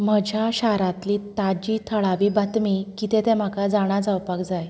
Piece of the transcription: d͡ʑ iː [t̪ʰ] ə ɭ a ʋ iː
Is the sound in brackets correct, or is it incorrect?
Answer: correct